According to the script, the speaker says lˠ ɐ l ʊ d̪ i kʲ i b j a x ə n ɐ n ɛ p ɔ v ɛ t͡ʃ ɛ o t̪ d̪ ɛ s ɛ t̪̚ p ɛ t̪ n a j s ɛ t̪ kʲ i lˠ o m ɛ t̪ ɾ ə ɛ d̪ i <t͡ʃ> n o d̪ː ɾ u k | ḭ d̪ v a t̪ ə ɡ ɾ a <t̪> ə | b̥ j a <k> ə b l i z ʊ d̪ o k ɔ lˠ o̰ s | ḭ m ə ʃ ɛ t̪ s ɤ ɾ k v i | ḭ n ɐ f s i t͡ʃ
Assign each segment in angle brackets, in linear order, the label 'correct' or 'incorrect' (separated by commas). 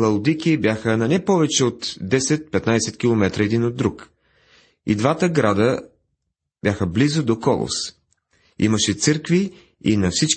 incorrect, incorrect, incorrect